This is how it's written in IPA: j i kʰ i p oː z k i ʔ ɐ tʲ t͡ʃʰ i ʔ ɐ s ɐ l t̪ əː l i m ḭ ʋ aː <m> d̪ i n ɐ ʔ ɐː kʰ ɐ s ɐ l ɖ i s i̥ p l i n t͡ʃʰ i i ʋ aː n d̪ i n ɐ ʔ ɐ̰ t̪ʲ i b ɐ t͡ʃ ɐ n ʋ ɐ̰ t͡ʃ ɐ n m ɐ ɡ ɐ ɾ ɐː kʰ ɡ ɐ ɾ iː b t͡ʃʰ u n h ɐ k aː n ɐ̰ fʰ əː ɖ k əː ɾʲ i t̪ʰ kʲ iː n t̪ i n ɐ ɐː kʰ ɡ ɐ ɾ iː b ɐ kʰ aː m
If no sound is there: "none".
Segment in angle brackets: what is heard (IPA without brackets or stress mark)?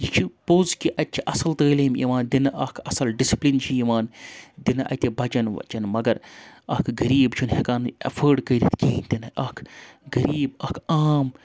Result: n